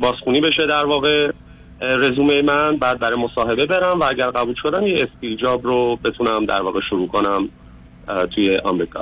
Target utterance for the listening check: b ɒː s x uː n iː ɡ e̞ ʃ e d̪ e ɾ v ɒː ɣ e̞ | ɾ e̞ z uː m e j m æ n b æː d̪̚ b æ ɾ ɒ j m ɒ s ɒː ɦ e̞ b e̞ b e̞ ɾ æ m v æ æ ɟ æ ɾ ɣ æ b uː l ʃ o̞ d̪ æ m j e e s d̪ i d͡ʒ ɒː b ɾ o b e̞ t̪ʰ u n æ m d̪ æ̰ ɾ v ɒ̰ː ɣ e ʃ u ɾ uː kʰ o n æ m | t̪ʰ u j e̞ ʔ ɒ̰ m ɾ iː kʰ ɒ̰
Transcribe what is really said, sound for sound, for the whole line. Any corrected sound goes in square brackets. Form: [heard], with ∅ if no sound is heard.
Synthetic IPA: b ɒː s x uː n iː [b] e̞ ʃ e d̪ [æ] ɾ v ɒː ɣ e̞ | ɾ e̞ z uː m e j m æ n b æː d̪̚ b æ ɾ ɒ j m [o] s ɒː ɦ e̞ b e̞ b e̞ ɾ æ m v æ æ ɟ æ ɾ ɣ æ b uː l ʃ o̞ d̪ æ m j e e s [t̪] i d͡ʒ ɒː b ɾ o b e̞ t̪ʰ u n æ m d̪ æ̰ ɾ v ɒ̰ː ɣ e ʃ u ɾ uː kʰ o n æ m | t̪ʰ u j e̞ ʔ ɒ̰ m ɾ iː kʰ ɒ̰